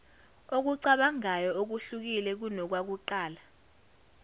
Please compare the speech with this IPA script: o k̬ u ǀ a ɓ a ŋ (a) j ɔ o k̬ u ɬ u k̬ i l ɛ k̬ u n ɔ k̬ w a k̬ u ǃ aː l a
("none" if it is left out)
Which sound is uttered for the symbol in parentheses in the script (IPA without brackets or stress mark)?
a